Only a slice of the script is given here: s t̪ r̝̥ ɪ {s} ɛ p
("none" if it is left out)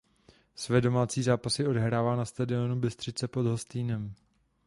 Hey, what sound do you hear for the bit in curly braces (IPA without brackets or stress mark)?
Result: t͡s